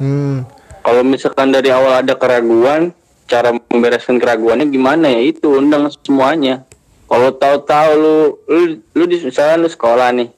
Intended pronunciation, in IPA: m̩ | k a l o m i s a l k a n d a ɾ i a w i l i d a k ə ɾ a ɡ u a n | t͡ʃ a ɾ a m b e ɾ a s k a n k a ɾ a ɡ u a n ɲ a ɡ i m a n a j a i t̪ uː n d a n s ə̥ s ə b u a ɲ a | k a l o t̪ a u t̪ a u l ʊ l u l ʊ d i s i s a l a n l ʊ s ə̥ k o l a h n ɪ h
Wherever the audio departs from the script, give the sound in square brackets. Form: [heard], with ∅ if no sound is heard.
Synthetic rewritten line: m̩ | k a l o m i s a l k a n d a ɾ i a w [a] l [a] d a k ə ɾ a ɡ u a n | t͡ʃ a ɾ a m b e ɾ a s k a n k [ə] ɾ a ɡ u a n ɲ a ɡ i m a n a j a i t̪ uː n d a [ŋ] s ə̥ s ə [m] u a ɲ a | k a l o t̪ a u t̪ a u l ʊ l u l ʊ d i s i s a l a n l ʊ s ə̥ k o l a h n ɪ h